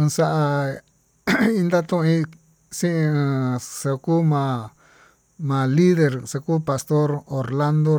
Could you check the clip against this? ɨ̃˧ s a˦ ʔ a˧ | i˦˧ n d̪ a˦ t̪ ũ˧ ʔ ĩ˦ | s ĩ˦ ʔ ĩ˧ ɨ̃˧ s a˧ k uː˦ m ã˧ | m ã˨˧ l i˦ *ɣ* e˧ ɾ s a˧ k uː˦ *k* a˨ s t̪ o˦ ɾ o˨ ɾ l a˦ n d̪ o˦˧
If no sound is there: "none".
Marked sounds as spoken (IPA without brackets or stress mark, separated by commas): ð, p